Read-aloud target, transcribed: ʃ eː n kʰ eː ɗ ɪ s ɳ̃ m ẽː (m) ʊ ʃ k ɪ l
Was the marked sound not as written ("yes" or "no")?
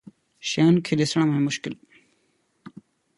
no